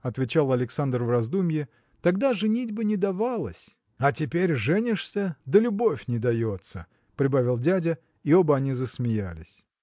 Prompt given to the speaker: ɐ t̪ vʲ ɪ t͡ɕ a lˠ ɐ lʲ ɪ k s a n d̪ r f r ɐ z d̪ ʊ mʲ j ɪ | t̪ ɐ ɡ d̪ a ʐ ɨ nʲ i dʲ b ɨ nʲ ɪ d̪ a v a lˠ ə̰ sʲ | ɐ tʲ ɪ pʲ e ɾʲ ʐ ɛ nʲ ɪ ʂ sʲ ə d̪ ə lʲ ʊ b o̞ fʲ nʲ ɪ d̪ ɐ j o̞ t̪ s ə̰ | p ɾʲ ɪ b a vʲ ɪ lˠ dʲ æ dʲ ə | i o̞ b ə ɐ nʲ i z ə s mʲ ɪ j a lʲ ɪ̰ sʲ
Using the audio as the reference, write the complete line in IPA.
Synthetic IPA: ɐ t̪ vʲ ɪ t͡ɕ a lˠ ɐ lʲ ɪ k s a n d̪ r v r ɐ z d̪ u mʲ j ɪ | t̪ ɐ ɡ d̪ a ʐ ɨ nʲ i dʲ b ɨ nʲ ɪ d̪ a v a lˠ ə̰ sʲ | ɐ tʲ ɪ pʲ e ɾʲ ʐ ɛ nʲ ɪ ʂ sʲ ə d̪ ə lʲ ʊ b o̞ fʲ nʲ ɪ d̪ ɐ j o̞ t̪ s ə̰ | p ɾʲ ɪ b a vʲ ɪ lˠ dʲ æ dʲ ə | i o̞ b ə ɐ nʲ i z ə s mʲ ɪ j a lʲ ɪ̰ sʲ